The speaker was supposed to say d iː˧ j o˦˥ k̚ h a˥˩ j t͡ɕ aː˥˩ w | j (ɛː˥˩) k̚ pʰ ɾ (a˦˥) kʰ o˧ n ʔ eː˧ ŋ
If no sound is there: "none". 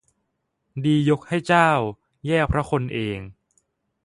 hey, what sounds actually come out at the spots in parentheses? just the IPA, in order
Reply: ɛː˥˩, a˦˥

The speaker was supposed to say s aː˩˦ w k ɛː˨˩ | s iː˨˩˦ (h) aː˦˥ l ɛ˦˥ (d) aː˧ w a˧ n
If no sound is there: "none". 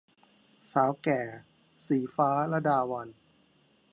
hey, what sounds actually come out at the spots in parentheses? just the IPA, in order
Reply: f, d

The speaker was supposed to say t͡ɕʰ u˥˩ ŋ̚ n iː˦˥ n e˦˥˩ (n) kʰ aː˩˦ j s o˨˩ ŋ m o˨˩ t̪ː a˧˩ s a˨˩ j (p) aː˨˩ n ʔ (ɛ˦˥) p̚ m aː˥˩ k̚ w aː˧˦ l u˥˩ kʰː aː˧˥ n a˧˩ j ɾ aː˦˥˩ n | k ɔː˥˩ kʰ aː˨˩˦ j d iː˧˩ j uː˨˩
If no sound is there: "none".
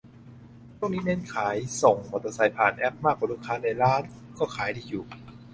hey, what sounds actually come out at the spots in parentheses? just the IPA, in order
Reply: n, pʰ, ɛ˦˥

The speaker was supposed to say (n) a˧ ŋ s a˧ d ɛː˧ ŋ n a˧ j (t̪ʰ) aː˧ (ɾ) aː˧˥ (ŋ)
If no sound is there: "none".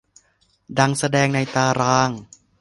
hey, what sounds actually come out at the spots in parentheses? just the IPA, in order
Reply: d, t̪, ɾ, ŋ

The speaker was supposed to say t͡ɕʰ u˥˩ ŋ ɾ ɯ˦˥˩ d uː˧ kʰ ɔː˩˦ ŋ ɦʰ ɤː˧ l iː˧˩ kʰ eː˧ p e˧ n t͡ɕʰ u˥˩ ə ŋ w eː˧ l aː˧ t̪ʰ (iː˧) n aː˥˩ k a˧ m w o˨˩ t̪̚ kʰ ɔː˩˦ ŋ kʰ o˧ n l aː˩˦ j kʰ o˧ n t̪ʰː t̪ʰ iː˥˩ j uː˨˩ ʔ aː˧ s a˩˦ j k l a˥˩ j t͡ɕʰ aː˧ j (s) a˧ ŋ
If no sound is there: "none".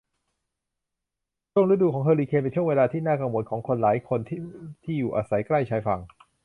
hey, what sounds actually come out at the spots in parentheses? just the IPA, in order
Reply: iː˥˩, f

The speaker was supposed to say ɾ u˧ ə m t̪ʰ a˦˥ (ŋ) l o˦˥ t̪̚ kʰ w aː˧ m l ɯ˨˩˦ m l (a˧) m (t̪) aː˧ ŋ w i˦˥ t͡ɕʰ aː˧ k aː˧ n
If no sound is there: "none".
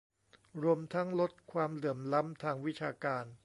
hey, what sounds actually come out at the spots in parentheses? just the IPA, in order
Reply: ŋ, a˦˥, t̪ʰ

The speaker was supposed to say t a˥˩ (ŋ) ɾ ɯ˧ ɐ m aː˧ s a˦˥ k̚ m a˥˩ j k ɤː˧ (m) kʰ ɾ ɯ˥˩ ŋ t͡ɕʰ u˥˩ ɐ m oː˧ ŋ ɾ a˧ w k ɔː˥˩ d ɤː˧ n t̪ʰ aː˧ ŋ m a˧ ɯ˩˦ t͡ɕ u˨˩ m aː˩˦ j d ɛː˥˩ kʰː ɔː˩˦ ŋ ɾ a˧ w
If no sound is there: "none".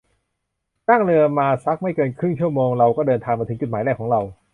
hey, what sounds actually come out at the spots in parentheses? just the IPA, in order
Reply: ŋ, n

